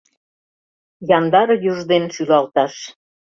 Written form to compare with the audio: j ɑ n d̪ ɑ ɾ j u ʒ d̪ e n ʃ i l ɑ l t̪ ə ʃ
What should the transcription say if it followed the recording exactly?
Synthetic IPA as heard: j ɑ n d̪ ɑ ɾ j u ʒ d̪ e n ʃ y l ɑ l t̪ ɑ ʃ

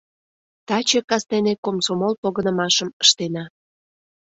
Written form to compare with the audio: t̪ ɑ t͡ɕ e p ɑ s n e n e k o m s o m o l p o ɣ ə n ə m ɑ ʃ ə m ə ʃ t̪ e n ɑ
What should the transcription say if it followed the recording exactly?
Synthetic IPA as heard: t̪ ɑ t͡ɕ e k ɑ s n e n e k o m s o m o l p o ɣ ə n ə m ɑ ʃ ə m ə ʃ t̪ e n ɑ

